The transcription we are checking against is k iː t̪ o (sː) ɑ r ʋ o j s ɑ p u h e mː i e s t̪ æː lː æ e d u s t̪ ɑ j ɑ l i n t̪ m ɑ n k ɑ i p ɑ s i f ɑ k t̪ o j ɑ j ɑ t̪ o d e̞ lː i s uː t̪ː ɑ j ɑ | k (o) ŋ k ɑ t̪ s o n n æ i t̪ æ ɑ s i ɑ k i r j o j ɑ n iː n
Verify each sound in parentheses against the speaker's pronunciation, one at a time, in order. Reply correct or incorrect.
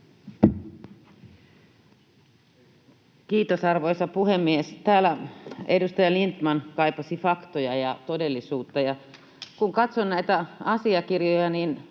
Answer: incorrect: s, incorrect: u

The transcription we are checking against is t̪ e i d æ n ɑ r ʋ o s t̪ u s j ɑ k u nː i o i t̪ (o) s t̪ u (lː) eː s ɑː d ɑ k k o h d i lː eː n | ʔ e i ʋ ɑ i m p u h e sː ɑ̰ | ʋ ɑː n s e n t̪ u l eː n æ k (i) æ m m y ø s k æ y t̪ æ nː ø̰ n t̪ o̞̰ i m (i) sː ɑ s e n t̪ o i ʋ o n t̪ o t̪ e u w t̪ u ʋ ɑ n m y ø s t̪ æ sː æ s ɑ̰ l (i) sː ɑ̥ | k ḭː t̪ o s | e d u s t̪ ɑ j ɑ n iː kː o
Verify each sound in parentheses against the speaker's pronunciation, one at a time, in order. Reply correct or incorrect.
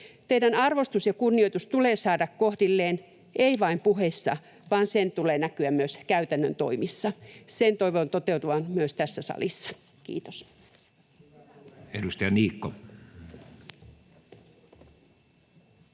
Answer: incorrect: u, incorrect: l, incorrect: y, correct, correct

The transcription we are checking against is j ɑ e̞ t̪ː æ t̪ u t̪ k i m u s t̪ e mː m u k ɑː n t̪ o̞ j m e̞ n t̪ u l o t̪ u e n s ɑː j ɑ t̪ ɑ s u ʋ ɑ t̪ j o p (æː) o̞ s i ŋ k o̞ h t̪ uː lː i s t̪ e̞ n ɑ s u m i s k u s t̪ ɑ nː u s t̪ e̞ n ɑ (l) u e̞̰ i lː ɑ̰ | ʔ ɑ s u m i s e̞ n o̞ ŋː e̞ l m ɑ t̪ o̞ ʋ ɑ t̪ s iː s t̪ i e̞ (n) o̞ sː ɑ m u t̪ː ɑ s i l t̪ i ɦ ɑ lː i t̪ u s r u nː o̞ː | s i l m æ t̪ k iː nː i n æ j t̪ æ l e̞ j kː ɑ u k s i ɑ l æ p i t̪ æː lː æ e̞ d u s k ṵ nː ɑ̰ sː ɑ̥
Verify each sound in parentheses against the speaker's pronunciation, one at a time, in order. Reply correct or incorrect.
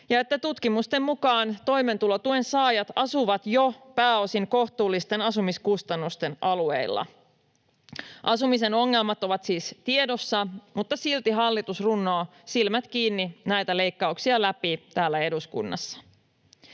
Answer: correct, correct, incorrect: d

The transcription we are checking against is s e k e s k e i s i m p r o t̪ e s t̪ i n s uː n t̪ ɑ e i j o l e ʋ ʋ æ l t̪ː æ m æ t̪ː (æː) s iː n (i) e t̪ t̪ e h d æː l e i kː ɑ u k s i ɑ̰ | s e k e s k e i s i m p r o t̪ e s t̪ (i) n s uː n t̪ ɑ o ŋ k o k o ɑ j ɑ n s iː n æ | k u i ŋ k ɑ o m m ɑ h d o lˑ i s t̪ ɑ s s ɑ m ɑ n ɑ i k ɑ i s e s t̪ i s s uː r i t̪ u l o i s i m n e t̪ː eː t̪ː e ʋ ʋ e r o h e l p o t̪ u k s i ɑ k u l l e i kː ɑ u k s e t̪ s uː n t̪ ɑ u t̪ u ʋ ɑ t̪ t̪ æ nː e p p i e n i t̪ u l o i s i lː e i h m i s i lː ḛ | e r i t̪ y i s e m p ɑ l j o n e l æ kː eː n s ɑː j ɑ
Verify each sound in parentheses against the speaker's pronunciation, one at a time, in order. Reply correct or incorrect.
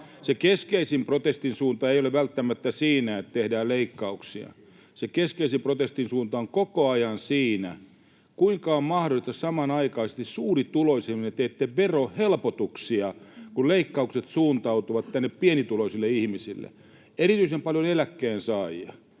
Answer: incorrect: æ, incorrect: æ, correct

